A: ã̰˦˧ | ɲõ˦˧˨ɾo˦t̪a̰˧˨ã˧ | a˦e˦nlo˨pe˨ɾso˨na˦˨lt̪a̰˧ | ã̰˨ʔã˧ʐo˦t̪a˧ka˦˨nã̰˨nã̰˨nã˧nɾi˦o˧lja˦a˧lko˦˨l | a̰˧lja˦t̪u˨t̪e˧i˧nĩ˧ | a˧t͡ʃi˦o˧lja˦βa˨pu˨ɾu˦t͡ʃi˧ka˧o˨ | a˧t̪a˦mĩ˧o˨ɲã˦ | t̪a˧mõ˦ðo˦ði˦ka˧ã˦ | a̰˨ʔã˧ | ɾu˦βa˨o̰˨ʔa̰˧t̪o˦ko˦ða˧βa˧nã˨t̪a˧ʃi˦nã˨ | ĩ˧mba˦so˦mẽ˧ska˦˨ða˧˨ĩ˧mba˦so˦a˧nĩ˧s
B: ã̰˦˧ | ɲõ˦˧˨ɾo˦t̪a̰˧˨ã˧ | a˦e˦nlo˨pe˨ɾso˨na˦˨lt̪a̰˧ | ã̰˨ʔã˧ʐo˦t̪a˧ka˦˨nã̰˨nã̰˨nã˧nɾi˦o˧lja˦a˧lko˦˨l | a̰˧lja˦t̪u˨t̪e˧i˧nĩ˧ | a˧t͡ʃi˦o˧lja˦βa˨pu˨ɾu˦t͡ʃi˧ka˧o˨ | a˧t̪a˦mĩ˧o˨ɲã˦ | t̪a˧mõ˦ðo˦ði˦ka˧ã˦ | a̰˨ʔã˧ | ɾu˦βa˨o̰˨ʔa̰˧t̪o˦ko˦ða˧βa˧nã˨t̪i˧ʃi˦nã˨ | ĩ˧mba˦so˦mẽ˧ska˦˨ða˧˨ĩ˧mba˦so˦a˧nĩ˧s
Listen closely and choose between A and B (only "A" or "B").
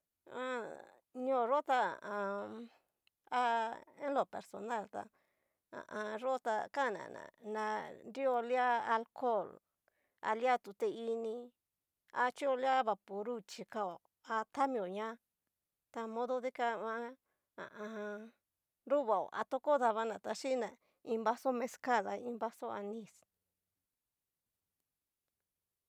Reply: A